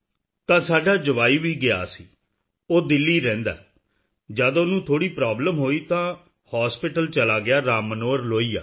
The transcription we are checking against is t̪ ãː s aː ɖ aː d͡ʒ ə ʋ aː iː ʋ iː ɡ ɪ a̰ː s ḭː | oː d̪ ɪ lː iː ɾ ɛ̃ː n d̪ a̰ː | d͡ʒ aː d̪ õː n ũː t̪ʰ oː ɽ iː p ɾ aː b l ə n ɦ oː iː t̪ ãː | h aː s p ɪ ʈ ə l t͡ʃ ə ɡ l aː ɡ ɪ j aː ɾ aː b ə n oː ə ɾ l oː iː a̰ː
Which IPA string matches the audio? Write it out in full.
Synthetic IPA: t̪ ãː s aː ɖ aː d͡ʒ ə ʋ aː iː ʋ iː ɡ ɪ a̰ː s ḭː | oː d̪ ɪ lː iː ɾ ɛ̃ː n d̪ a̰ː | d͡ʒ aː d̪ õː n ũː t̪ʰ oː ɽ iː p ɾ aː b l ə m ɦ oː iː t̪ ãː | h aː s p ɪ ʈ ə l t͡ʃ ə l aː ɡ ɪ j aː ɾ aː m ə n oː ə ɾ l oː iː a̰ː